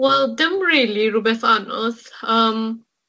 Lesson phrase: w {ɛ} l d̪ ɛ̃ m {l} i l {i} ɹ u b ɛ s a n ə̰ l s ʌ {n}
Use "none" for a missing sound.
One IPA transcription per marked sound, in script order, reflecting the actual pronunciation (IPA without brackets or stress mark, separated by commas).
ɛ, ɹ, i, m